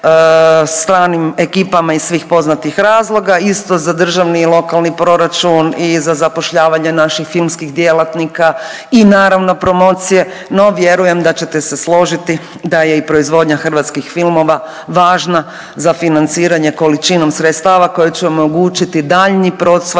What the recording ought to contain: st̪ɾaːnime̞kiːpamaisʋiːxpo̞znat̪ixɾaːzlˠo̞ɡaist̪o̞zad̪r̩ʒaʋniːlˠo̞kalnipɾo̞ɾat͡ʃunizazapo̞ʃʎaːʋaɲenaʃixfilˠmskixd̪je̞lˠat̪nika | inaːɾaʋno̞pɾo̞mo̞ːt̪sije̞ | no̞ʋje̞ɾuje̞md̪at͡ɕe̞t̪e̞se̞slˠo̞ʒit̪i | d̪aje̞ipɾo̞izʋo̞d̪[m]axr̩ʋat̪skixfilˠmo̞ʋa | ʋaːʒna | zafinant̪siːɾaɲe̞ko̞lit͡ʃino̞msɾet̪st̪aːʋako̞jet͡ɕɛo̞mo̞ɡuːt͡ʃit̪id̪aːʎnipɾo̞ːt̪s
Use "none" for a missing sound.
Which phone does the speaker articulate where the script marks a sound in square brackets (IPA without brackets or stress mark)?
ɲ